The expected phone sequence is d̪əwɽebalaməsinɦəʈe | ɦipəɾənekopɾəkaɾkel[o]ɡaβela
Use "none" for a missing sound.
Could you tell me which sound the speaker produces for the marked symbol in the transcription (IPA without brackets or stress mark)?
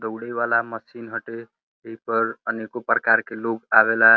o